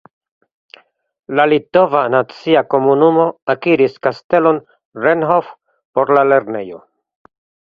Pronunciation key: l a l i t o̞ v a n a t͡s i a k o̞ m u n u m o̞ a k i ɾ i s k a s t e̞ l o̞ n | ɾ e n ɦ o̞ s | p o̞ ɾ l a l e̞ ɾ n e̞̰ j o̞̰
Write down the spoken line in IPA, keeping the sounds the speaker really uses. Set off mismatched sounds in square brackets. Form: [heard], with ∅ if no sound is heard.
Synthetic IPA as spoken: l a l i t o̞ v a n a t͡s i a k o̞ m u n u m o̞ a k i ɾ i s k a s t e̞ l o̞ n | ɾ e n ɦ o̞ [f] | p o̞ ɾ l a l e̞ ɾ n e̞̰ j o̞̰

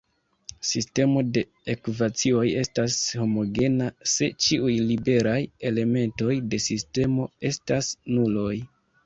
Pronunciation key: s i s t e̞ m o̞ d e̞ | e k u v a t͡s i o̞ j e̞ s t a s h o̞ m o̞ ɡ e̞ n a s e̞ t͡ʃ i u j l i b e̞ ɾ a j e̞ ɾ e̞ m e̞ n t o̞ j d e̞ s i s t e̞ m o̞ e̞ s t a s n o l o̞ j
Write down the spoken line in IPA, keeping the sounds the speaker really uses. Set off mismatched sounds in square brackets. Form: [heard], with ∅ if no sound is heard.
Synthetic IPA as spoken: s i s t e̞ m o̞ d e̞ | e k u v a t͡s i o̞ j e̞ s t a s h o̞ m o̞ ɡ e̞ n a s e̞ t͡ʃ i u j l i b e̞ ɾ a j e̞ [l] e̞ m e̞ n t o̞ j d e̞ s i s t e̞ m o̞ e̞ s t a s n [u] l o̞ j

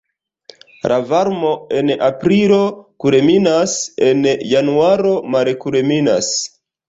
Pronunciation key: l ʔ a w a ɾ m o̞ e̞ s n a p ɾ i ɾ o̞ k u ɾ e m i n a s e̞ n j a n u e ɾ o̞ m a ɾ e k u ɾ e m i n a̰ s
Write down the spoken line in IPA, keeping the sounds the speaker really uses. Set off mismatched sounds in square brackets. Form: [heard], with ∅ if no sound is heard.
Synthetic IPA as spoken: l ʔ a [v] a ɾ m o̞ e̞ [∅] n a p ɾ i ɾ o̞ k u ɾ e m i n a s e̞ n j a n u [a] ɾ o̞ m a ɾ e k u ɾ e m i n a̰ s

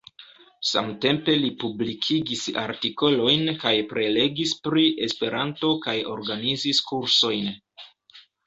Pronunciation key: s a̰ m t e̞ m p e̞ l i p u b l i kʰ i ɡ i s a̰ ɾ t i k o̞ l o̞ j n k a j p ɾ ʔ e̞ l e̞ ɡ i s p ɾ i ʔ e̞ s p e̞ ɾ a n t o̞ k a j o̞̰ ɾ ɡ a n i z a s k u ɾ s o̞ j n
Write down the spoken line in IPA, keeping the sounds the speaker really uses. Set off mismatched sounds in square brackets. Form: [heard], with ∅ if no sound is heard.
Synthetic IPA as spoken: s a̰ m t e̞ m p e̞ l i p u b l i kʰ i ɡ i s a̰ ɾ t i k o̞ l o̞ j n k a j p ɾ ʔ e̞ l e̞ ɡ i s p ɾ i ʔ e̞ s p e̞ ɾ a n t o̞ k a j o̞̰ ɾ ɡ a n i z [i] s k u ɾ s o̞ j n

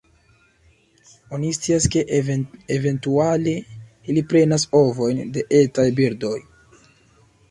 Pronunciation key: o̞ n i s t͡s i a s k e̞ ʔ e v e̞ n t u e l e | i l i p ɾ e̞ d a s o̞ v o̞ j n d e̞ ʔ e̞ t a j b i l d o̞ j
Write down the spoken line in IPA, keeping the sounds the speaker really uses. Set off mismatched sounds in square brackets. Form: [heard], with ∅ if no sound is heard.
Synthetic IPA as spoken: o̞ n i s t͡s i a s k e̞ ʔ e v e̞ n t u [a] l e | i l i p ɾ e̞ [n] a s o̞ v o̞ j n d e̞ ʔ e̞ t a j b i [ɾ] d o̞ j

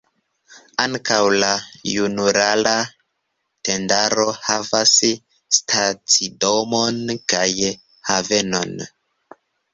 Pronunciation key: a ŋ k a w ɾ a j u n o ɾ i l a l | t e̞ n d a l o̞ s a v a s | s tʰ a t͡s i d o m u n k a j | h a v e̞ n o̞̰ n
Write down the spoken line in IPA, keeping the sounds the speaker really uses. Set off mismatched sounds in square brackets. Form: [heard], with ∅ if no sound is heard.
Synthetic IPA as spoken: a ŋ k a w [l] a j u n [u] ɾ [a] l a [∅] | t e̞ n d a [ɾ] o̞ [h] a v a s | s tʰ a t͡s i d o m [o] n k a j | h a v e̞ n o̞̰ n

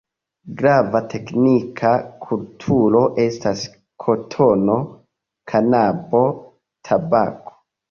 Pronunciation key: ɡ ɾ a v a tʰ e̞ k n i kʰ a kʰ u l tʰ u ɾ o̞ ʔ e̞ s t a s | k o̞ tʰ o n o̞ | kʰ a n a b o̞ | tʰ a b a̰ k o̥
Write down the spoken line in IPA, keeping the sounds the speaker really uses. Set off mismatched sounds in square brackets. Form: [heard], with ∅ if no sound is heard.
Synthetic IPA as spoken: ɡ ɾ a v a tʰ e̞ k n i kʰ a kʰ u l tʰ u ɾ o̞ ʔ e̞ s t a s | [kʰ] o̞ tʰ o n o̞ | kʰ a n a b o̞ | tʰ a b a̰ k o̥

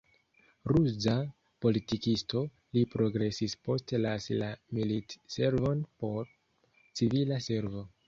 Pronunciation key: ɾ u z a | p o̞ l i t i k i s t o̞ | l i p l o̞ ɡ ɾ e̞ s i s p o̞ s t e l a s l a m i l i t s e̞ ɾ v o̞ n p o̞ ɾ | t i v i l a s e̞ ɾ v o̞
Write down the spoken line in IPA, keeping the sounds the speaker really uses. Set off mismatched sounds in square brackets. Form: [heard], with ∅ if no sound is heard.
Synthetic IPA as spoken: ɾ u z a | p o̞ l i t i k i s t o̞ | l i p [ɾ] o̞ ɡ ɾ e̞ s i s p o̞ s t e l a s l a m i l i t s e̞ ɾ v o̞ n p o̞ ɾ | [t͡s] i v i l a s e̞ ɾ v o̞

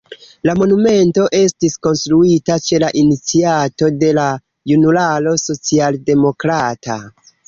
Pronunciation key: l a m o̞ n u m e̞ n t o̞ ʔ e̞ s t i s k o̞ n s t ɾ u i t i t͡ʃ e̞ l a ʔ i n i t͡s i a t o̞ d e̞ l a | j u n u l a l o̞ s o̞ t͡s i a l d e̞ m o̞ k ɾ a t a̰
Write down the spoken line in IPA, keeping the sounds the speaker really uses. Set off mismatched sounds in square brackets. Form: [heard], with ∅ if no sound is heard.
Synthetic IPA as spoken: l a m o̞ n u m e̞ n t o̞ ʔ e̞ s t i s k o̞ n s t ɾ u i t [a] t͡ʃ e̞ l a ʔ i n i t͡s i a t o̞ d e̞ l a | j u n u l a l o̞ s o̞ t͡s i a l d e̞ m o̞ k ɾ a t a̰

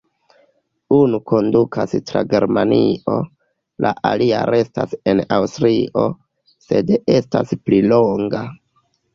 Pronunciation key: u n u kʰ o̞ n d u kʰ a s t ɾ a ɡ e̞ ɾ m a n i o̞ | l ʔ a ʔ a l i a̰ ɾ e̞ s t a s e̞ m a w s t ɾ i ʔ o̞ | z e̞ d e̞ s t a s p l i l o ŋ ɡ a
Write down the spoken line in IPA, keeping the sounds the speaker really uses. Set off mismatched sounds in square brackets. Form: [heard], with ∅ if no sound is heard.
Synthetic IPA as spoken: u n u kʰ o̞ n d u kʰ a s t ɾ a ɡ e̞ ɾ m a n i o̞ | l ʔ a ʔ a l i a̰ ɾ e̞ s t a s e̞ [n] a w s t ɾ i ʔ o̞ | [s] e̞ d e̞ s t a s p l i l o ŋ ɡ a

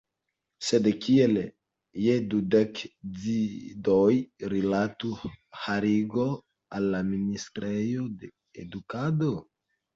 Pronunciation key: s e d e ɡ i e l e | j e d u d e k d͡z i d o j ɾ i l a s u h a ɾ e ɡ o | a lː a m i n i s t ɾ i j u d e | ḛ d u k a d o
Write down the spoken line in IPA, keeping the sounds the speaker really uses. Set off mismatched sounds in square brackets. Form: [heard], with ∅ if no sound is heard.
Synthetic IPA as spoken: s e d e [k] i e l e | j e d u d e k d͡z i d o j ɾ i l a [t] u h a ɾ [i] ɡ o | a lː a m i n i s t ɾ [e] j [o] d e | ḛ d u k a d o

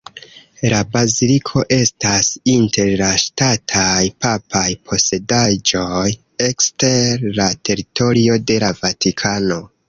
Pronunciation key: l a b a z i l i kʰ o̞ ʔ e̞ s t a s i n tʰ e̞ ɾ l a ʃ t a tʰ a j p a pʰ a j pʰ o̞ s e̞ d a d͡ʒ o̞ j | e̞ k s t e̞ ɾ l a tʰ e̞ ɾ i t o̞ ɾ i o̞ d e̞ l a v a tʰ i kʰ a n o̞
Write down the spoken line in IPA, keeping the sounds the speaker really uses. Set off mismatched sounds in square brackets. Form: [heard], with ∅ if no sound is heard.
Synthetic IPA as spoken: l a b a z i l i kʰ o̞ ʔ e̞ s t a s i n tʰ e̞ ɾ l a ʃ t a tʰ a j p a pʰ a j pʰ o̞ s e̞ d a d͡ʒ o̞ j | e̞ k s t e̞ ɾ l a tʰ e̞ ɾ i t o̞ ɾ i o̞ d e̞ l a v a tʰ i kʰ a n o̞

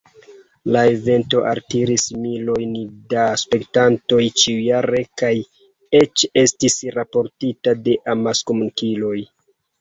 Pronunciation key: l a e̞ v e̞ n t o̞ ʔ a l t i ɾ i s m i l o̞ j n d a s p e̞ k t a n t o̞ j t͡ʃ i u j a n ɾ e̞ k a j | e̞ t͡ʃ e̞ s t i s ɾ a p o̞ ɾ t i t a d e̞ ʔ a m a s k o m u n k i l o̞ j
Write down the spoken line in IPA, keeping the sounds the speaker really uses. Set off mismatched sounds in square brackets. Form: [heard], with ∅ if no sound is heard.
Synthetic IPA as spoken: l a e̞ v e̞ n t o̞ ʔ a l t i ɾ i s m i l o̞ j n d a s p e̞ k t a n t o̞ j t͡ʃ i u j a [∅] ɾ e̞ k a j | e̞ t͡ʃ e̞ s t i s ɾ a p o̞ ɾ t i t a d e̞ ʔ a m a s k o m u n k i l o̞ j

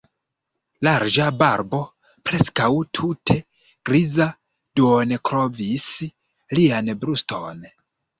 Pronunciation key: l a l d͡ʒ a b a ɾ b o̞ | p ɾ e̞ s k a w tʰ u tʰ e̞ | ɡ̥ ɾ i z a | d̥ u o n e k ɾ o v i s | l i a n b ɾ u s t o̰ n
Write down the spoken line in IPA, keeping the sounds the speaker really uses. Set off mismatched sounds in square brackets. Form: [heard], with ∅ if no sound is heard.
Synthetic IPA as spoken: l a [ɾ] d͡ʒ a b a ɾ b o̞ | p ɾ e̞ s k a w tʰ u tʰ e̞ | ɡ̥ ɾ i z a | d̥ u o n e k ɾ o v i s | l i a n b ɾ u s t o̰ n

